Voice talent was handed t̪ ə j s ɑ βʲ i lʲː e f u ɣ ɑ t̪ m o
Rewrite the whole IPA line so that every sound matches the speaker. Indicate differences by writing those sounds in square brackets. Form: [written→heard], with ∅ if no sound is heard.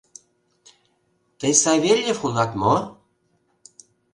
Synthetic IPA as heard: t̪ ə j s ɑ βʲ [i→e] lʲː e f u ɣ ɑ t̪ m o